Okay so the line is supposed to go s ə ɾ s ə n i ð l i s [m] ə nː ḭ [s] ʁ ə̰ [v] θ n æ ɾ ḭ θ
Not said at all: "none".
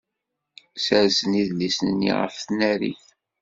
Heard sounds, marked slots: n, none, f

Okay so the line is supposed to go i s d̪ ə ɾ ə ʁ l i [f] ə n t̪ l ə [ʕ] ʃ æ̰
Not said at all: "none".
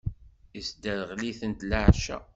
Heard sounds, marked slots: θ, ʕ

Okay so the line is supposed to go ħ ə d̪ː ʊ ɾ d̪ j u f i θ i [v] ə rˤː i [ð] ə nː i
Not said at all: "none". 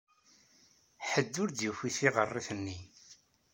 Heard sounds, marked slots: ʁ, θ

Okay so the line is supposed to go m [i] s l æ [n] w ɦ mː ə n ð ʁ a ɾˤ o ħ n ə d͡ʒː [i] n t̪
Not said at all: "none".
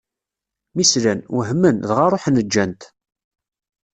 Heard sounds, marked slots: i, n, æ

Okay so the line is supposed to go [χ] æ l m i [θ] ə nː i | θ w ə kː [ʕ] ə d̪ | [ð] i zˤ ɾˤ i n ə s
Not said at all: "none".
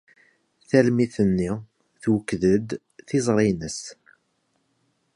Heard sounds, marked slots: θ, θ, ð, θ

